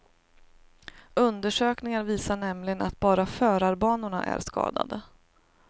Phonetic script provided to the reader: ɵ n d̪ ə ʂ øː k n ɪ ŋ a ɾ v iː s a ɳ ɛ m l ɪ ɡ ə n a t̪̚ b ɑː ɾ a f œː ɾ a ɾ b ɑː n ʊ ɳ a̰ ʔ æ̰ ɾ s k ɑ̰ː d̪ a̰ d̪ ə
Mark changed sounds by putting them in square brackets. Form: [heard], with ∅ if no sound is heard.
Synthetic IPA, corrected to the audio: ɵ n d̪ ə ʂ øː k n ɪ ŋ a ɾ v iː s a ɳ ɛ m l ɪ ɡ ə n a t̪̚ b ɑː ɾ a f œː ɾ a ɾ b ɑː n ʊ ɳ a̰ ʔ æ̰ ɾ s k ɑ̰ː d̪ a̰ d̪ ə